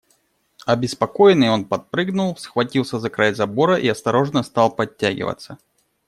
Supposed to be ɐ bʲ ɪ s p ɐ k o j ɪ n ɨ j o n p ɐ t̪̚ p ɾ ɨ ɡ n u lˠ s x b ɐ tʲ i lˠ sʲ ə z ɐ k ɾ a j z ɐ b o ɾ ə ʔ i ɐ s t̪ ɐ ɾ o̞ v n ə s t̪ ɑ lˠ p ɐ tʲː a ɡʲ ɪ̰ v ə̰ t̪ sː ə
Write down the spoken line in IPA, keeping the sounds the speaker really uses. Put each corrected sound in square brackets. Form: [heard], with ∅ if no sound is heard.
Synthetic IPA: ɐ bʲ ɪ s p ɐ k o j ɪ n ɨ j o n p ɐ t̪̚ p ɾ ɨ ɡ n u lˠ s x [v] ɐ tʲ i lˠ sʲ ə z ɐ k ɾ a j z ɐ b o ɾ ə ʔ i ɐ s t̪ ɐ ɾ o̞ [ʐ] n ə s t̪ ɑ lˠ p ɐ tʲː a ɡʲ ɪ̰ v ə̰ t̪ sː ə